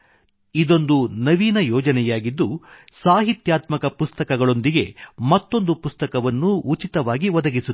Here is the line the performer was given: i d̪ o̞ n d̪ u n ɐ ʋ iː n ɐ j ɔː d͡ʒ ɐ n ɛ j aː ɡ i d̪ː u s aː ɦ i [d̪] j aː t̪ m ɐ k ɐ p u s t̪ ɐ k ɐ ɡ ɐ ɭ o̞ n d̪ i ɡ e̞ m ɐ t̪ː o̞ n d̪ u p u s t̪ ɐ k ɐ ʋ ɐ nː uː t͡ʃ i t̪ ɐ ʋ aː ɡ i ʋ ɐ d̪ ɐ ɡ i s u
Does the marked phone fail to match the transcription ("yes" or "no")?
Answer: yes